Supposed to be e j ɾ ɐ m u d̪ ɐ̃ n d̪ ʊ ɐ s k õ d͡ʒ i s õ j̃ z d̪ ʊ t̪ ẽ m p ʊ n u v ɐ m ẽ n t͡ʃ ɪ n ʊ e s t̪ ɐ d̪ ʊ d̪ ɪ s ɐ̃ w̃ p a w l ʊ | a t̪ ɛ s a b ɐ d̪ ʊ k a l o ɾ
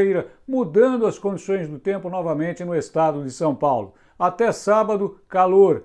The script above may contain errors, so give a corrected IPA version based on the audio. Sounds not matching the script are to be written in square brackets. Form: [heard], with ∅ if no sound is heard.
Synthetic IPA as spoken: e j ɾ ɐ m u d̪ ɐ̃ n d̪ ʊ ɐ s k õ d͡ʒ i s õ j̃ z d̪ ʊ t̪ ẽ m p ʊ n [ɔ] v ɐ m ẽ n t͡ʃ ɪ n ʊ e s t̪ [a] d̪ ʊ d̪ ɪ s ɐ̃ w̃ p a w l ʊ | a t̪ ɛ s a b ɐ d̪ ʊ k a l o ɾ